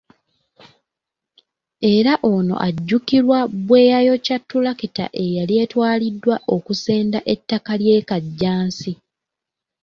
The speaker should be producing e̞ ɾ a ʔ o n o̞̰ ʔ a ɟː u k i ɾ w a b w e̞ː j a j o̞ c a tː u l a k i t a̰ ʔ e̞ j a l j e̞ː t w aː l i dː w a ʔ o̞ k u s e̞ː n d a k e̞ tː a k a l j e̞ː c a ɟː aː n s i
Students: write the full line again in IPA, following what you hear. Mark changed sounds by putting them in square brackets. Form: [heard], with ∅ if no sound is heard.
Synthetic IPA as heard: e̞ ɾ a ʔ o n o̞̰ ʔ a ɟː u k i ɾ w a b w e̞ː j a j o̞ c a tː u l a k i t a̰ ʔ e̞ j a l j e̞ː t w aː l i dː w a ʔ o̞ k u s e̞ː n d a [ʔ] e̞ tː a k a l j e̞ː [k] a ɟː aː n s i